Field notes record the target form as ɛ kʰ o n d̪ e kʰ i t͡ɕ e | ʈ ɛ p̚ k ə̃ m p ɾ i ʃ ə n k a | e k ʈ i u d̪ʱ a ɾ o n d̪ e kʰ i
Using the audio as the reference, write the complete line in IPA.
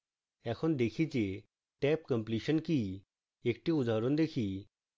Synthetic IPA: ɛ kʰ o n d̪ e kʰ i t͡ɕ e | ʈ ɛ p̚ k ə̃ m p l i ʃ ə n k i | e k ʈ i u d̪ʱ a ɾ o n d̪ e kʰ i